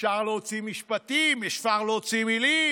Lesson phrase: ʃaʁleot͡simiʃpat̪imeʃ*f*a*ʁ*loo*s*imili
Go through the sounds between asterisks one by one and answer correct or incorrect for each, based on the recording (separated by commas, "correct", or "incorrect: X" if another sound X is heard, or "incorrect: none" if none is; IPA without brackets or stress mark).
correct, correct, incorrect: t͡s